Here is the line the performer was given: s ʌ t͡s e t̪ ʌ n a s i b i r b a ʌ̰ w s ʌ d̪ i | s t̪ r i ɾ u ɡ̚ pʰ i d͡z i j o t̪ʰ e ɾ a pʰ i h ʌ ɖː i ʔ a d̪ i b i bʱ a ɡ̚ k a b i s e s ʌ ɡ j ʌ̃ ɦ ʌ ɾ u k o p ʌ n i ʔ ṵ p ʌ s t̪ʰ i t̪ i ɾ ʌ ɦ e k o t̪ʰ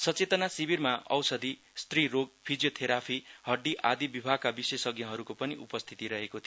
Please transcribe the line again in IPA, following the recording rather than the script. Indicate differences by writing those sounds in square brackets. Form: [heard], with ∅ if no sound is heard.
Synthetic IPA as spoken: s ʌ t͡s e t̪ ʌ n a s i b i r [m] a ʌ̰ w s ʌ d̪ i | s t̪ r i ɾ [o] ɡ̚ pʰ i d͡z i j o t̪ʰ e ɾ a pʰ i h ʌ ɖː i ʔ a d̪ i b i bʱ a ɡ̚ k a b i s e s ʌ ɡ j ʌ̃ ɦ ʌ ɾ u k o p ʌ n i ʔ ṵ p ʌ s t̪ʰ i t̪ i ɾ ʌ ɦ e k o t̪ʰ